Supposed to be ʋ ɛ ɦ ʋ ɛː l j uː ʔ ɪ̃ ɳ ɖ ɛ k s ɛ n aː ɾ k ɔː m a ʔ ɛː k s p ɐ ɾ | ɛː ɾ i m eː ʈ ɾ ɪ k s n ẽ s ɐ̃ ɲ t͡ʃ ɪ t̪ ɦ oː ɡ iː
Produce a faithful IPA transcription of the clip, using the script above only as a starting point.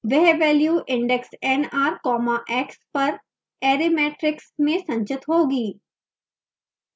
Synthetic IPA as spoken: ʋ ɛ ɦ ʋ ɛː l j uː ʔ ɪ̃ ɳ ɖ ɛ k s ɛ n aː ɾ k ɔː m a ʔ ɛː k s p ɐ ɾ | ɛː ɾ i m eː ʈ ɾ ɪ k s m ẽ s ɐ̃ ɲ t͡ʃ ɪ t̪ ɦ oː ɡ iː

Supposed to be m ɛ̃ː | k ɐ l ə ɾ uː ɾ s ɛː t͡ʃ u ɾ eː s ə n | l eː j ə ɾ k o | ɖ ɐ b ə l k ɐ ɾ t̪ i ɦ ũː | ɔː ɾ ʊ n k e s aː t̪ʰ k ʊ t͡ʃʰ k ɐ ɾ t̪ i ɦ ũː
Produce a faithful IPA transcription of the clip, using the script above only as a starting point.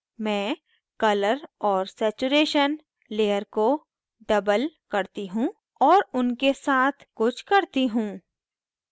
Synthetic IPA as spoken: m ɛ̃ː | k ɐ l ə ɾ ɔː ɾ s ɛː t͡ʃ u ɾ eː ʃ ə n | l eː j ə ɾ k o | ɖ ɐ b ə l k ɐ ɾ t̪ i ɦ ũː | ɔː ɾ ʊ n k e s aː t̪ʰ k ʊ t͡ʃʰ k ɐ ɾ t̪ i ɦ ũː

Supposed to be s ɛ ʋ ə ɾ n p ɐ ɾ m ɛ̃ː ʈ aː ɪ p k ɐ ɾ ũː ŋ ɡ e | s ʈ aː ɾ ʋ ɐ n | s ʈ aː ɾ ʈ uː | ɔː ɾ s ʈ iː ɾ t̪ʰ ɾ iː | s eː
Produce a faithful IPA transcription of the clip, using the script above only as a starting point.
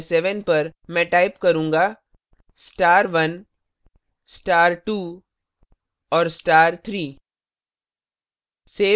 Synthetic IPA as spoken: s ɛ ʋ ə n p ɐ ɾ m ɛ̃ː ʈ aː ɪ p k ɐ ɾ ũː ŋ ɡ a | s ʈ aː ɾ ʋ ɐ n | s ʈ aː ɾ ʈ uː | ɔː ɾ s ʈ aː ɾ t̪ʰ ɾ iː | s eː

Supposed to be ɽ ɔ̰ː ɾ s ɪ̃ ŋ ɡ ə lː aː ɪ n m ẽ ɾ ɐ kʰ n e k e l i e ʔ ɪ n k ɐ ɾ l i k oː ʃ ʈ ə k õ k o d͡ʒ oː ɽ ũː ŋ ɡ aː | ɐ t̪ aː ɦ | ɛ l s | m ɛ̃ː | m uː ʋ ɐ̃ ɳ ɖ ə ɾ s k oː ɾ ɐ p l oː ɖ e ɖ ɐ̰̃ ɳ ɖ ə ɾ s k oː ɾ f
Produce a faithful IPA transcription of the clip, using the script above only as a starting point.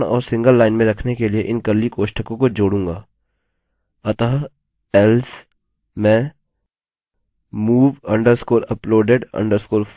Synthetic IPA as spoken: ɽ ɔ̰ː ɾ s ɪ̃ ŋ ɡ ə lː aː ɪ n m ẽ ɾ ɐ kʰ n e k e l i e ʔ ɪ n k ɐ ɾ l i k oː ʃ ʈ ə k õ k o d͡ʒ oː ɽ ũː ŋ ɡ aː | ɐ t̪ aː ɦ | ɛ l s | m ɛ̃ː | m uː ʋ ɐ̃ ɳ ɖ ə ɾ s k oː ɾ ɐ p l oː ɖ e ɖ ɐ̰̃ ɳ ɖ ə ɾ s k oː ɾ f

